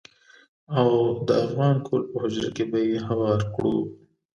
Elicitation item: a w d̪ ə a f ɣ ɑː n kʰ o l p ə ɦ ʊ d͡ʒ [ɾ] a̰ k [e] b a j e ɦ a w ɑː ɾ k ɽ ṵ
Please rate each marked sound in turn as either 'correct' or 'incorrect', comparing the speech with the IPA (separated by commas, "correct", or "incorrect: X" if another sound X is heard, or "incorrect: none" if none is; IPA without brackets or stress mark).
correct, correct